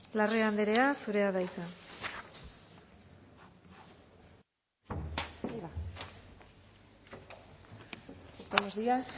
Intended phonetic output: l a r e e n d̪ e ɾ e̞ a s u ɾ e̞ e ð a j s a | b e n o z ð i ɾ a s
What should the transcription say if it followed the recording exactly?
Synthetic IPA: l a r e a n d̪ e ɾ e̞ a s u ɾ e̞ a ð a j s a | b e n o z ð i a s